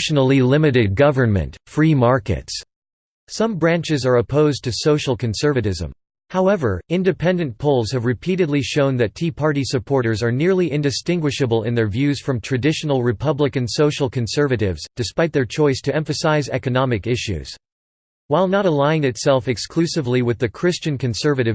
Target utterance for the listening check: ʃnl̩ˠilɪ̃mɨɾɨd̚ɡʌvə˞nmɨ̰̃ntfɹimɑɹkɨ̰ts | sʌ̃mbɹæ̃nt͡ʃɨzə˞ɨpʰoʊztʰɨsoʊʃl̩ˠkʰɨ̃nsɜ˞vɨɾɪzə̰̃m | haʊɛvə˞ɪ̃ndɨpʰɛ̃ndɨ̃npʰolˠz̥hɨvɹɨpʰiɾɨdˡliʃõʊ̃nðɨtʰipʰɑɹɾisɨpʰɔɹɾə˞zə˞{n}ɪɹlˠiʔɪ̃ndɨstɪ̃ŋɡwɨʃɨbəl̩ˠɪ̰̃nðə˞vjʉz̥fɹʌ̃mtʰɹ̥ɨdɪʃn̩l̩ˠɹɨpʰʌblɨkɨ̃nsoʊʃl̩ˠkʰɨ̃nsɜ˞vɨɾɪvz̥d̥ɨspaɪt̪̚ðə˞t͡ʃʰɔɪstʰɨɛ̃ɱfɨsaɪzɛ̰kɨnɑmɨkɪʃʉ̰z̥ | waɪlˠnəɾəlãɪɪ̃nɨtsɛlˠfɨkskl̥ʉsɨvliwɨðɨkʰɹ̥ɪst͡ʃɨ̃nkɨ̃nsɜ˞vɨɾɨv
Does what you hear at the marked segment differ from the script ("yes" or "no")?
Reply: no